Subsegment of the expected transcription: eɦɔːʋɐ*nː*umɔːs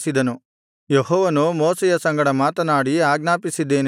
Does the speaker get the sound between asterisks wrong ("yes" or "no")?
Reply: yes